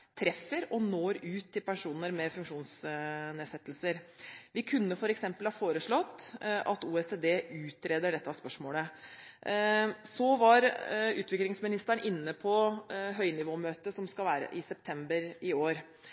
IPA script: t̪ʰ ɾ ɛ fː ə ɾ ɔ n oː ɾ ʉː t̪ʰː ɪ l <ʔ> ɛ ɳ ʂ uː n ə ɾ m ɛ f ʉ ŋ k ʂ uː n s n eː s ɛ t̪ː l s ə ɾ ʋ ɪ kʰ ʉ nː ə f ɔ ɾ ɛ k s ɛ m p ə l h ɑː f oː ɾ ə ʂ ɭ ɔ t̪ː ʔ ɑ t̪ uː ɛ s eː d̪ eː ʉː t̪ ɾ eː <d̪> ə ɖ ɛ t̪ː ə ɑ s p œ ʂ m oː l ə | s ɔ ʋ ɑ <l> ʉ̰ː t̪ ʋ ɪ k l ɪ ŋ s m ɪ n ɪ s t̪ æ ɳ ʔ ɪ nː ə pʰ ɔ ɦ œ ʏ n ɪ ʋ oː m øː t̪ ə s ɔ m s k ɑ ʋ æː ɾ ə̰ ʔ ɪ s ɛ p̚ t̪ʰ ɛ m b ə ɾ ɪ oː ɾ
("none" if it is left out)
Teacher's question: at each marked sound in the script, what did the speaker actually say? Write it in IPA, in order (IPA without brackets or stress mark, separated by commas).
p, d̪, ɾ